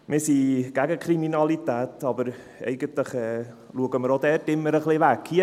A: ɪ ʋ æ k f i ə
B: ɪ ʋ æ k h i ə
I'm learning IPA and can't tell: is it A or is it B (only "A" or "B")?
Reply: B